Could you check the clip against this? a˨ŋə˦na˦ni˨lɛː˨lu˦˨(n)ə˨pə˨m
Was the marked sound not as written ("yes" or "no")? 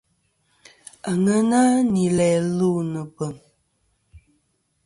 no